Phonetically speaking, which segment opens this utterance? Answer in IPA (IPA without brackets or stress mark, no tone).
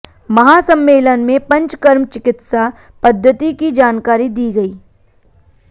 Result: m